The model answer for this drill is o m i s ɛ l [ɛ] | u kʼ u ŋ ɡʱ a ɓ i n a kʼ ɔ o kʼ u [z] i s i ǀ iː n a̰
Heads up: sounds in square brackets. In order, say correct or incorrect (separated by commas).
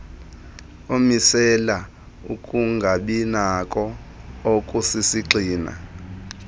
incorrect, incorrect